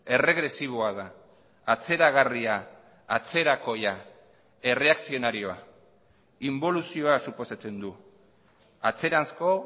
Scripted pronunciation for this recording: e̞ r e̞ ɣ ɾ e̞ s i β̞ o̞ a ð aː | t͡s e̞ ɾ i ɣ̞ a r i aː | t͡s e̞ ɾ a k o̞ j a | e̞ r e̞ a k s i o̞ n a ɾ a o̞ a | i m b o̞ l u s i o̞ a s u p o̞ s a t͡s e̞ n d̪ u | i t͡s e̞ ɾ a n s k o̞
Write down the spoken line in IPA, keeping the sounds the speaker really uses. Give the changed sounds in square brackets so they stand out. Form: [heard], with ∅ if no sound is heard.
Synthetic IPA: e̞ r e̞ ɣ ɾ e̞ s i β̞ o̞ a ð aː | t͡s e̞ ɾ [a] ɣ̞ a r i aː | t͡s e̞ ɾ a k o̞ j a | e̞ r e̞ a k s i o̞ n a ɾ [i] o̞ a | i m b o̞ l u s i o̞ a s u p o̞ s a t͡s e̞ n d̪ u | [a] t͡s e̞ ɾ a n s k o̞